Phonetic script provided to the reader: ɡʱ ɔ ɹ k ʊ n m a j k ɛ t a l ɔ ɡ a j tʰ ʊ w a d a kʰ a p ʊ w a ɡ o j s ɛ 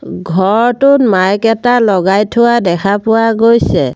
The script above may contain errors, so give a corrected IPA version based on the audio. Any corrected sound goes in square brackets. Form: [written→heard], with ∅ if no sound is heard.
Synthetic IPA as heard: ɡʱ ɔ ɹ [k→t] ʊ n m a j k ɛ t a l ɔ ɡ a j tʰ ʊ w a d [a→ɛ] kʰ a p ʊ w a ɡ o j s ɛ